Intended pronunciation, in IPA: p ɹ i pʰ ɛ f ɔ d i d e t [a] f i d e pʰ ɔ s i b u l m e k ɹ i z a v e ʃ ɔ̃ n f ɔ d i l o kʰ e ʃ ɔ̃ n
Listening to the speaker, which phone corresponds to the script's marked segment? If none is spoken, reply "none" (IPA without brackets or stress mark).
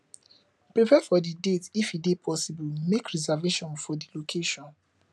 i